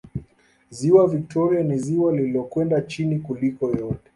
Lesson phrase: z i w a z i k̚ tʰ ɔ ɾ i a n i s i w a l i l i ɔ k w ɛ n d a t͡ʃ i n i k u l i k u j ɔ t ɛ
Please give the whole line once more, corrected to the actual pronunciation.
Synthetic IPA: z i w a v i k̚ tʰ ɔ ɾ i a n i z i w a l i l i ɔ k w ɛ n d a t͡ʃ i n i k u l i k ɔ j ɔ t ɛ